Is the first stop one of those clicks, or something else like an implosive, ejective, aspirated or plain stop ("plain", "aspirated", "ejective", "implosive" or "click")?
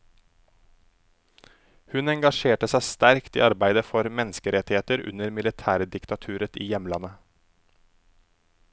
plain